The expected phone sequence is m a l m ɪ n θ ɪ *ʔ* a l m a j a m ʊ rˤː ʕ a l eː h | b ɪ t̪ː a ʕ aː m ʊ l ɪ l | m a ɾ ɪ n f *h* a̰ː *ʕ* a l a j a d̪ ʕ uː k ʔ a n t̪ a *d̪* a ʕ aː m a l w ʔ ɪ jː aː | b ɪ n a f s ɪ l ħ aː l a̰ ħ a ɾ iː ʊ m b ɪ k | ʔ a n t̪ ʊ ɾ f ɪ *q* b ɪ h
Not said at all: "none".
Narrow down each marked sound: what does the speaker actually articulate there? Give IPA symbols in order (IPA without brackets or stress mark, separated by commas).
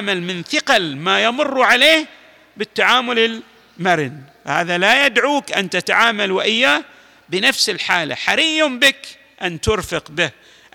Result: q, h, ð, t̪, q